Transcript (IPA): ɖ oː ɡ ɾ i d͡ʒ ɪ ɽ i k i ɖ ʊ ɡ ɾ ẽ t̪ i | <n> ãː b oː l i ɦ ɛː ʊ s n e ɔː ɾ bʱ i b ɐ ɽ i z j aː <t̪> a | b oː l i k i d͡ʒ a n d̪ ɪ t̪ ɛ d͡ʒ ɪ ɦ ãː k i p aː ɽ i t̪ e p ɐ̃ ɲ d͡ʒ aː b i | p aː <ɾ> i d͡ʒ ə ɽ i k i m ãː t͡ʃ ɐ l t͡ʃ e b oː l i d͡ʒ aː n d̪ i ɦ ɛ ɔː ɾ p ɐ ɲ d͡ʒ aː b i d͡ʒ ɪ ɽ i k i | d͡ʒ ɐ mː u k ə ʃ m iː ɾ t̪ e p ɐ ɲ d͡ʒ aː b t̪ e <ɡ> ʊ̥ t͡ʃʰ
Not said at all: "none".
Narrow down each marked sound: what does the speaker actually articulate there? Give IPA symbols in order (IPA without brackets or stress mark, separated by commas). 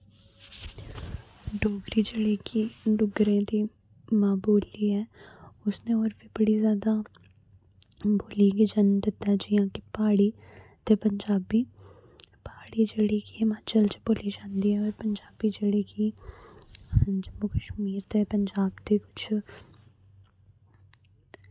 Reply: m, d̪, ɽ, k